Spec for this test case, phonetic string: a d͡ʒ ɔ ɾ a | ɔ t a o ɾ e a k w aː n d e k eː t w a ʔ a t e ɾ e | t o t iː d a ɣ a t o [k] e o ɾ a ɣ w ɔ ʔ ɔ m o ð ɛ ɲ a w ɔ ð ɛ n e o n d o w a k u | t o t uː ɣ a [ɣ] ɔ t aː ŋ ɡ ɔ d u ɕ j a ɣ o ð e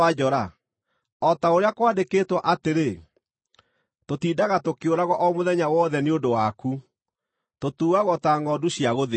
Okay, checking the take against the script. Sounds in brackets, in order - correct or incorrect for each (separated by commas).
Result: correct, correct